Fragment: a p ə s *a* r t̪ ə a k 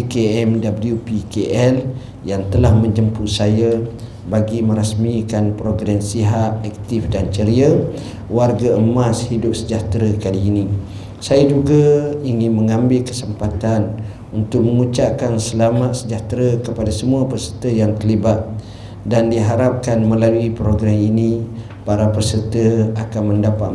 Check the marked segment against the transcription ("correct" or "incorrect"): incorrect